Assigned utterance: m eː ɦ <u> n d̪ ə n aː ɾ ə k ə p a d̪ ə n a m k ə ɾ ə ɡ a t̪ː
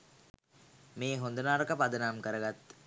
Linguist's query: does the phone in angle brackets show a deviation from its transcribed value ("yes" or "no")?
yes